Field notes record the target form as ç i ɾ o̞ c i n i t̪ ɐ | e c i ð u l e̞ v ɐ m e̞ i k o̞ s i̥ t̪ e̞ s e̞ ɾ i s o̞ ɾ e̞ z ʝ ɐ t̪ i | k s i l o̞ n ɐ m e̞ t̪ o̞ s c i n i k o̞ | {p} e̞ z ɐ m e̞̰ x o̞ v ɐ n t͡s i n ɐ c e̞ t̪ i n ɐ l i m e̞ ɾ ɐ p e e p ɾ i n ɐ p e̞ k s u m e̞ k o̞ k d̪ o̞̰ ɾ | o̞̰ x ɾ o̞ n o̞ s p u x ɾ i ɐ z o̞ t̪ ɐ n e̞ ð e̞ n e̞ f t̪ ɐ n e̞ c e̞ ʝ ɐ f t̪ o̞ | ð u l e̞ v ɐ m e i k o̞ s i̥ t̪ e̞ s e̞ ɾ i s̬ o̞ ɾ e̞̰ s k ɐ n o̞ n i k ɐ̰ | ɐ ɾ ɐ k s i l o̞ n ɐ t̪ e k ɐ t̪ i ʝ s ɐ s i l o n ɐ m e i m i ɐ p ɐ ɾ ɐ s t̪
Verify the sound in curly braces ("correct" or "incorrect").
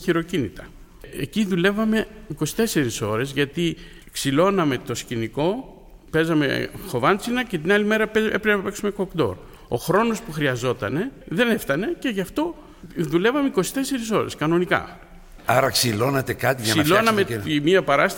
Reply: correct